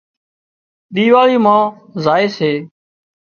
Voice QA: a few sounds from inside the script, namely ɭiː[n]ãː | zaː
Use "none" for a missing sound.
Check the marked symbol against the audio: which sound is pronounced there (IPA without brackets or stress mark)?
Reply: m